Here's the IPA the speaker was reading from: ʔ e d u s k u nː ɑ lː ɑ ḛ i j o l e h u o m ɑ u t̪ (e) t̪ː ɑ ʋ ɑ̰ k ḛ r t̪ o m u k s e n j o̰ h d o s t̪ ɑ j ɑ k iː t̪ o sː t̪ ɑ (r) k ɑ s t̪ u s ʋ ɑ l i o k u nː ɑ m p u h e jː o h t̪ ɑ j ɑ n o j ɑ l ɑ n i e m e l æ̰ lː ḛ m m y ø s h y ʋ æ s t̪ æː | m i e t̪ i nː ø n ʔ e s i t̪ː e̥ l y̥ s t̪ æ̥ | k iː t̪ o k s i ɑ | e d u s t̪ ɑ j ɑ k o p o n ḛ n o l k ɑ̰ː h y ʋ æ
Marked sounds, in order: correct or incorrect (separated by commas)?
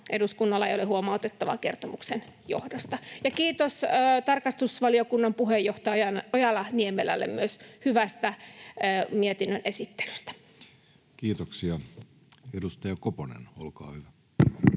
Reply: correct, correct